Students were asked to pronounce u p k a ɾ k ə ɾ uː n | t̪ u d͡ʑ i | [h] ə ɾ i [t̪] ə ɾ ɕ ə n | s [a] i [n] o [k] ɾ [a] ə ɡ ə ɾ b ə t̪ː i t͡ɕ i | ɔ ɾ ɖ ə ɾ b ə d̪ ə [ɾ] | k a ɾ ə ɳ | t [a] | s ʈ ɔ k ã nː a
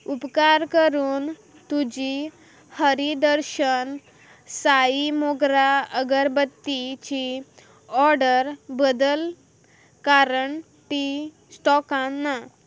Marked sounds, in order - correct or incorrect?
correct, incorrect: d̪, correct, incorrect: m, incorrect: ɡ, correct, incorrect: l, incorrect: i

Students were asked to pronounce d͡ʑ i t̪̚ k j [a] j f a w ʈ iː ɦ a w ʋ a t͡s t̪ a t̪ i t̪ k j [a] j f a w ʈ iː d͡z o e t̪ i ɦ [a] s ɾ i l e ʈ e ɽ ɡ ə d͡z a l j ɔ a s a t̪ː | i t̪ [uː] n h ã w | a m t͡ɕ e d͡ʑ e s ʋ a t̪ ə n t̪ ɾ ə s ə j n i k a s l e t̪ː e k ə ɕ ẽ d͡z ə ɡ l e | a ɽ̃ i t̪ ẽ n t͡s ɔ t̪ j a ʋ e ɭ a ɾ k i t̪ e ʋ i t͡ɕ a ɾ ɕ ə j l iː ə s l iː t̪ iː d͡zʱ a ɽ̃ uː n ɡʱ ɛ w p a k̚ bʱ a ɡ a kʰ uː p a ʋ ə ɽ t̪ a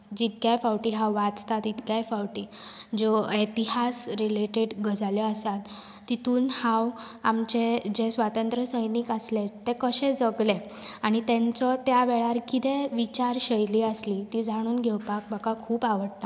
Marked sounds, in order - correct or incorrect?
correct, correct, correct, correct

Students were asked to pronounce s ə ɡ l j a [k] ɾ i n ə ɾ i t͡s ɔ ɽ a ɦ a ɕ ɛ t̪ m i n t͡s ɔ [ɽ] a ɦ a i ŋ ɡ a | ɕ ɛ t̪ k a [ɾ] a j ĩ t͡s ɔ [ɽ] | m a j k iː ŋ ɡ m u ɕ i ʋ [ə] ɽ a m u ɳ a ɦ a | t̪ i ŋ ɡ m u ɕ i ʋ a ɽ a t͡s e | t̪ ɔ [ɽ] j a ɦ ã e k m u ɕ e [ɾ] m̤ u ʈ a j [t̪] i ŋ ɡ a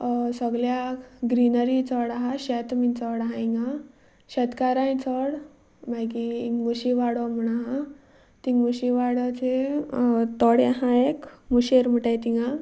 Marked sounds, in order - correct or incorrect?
incorrect: ɡ, correct, correct, correct, incorrect: a, correct, correct, correct

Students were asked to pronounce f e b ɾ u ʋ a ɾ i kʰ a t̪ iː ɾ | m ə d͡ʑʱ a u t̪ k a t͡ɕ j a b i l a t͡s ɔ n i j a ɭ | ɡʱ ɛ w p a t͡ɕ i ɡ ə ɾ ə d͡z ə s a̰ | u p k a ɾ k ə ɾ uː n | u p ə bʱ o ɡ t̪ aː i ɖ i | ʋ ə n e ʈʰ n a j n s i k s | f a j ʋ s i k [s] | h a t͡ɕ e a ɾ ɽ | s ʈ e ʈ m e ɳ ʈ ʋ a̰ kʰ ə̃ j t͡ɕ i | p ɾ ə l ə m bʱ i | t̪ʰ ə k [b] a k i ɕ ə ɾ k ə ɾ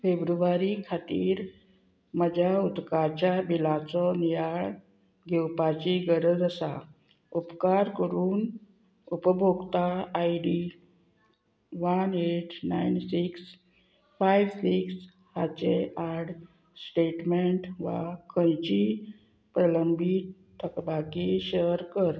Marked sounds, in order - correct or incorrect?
correct, correct

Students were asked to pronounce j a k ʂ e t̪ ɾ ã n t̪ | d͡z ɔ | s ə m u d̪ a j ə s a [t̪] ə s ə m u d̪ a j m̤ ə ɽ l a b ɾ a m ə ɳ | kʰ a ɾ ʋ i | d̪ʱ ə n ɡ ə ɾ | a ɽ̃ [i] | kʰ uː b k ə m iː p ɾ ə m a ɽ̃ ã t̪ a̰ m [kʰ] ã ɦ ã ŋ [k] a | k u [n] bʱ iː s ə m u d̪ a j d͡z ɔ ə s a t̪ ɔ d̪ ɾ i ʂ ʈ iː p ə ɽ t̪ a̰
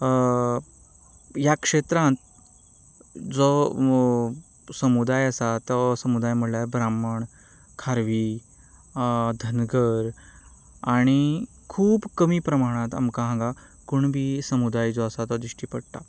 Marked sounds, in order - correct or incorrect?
correct, correct, incorrect: k, incorrect: ɡ, incorrect: ɳ

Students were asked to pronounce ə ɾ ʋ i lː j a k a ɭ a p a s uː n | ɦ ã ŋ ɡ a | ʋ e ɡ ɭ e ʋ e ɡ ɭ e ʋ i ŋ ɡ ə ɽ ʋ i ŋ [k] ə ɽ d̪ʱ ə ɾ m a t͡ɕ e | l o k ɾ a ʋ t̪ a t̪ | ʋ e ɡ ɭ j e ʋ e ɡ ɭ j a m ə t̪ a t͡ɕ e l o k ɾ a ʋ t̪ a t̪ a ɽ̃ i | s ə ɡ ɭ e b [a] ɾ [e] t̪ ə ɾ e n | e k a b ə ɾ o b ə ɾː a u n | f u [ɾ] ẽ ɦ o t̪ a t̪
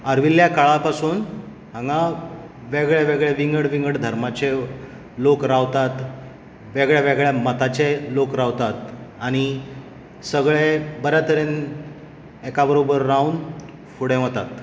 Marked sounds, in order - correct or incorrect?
incorrect: ɡ, incorrect: ə, incorrect: a, incorrect: ɽ

